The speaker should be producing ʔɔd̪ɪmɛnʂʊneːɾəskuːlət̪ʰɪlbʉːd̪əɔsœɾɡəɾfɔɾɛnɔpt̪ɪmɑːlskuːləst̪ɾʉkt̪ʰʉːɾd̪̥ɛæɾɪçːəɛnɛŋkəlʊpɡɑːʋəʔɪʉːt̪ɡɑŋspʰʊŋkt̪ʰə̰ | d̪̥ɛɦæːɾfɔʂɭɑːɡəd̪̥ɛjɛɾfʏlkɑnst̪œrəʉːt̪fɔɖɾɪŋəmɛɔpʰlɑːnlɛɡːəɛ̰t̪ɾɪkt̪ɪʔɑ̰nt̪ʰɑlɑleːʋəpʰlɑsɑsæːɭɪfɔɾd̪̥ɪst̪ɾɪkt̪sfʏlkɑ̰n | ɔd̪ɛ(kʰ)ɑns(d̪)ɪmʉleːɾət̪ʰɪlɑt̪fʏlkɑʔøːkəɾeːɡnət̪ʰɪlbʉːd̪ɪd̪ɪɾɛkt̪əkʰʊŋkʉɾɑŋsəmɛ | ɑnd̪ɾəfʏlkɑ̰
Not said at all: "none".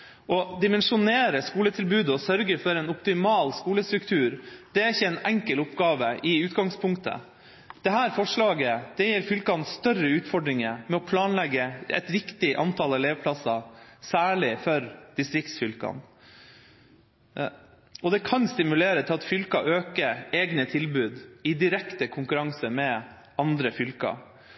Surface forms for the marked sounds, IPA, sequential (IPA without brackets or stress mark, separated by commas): kʰ, t̪